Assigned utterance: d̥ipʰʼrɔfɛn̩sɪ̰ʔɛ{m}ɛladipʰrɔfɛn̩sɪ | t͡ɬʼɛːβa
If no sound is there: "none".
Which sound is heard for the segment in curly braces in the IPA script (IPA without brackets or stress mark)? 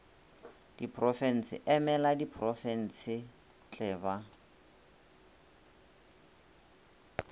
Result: m